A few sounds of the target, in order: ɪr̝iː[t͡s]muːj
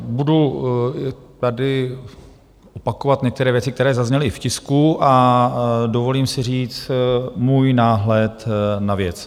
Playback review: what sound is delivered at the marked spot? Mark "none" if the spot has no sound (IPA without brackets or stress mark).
t͡s